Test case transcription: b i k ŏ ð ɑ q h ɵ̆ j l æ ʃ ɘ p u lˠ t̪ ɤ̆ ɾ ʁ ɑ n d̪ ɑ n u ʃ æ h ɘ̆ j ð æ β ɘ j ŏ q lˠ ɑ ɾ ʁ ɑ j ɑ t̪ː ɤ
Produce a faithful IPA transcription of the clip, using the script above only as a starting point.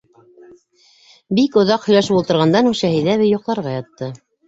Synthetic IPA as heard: b i k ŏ ð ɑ q h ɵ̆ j l æ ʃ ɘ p u lˠ t̪ ɤ̆ ɾ ʁ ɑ n d̪ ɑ n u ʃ æ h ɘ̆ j ð æ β ɘ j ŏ q lˠ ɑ ɾ ʁ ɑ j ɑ t̪ː ɤ